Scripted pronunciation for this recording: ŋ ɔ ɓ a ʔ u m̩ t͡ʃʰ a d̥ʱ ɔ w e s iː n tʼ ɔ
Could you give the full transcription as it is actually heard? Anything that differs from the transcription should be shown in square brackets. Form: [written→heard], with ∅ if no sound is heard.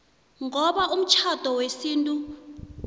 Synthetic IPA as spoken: ŋ ɔ ɓ a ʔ u m̩ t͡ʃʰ a d̥ʱ ɔ w e s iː n tʼ [ɔ→u]